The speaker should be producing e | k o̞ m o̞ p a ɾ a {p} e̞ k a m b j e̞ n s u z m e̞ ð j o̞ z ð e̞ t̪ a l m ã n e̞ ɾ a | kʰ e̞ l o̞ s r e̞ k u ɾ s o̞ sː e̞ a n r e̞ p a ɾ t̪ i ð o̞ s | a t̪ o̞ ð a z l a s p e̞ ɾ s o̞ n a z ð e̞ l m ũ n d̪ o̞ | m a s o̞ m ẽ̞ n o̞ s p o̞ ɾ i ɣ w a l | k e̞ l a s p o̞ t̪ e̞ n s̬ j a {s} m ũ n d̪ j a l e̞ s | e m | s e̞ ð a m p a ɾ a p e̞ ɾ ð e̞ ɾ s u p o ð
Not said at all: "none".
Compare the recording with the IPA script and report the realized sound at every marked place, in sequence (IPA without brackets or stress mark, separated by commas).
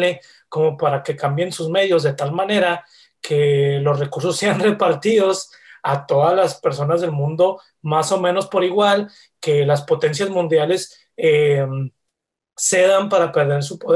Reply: k, z